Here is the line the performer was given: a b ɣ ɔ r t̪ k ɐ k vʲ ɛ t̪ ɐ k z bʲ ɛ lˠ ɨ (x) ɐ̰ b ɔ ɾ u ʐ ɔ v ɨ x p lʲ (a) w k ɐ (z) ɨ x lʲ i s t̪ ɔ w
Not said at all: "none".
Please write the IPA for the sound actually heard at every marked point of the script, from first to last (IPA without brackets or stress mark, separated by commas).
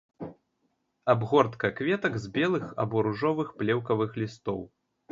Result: x, ɛ, v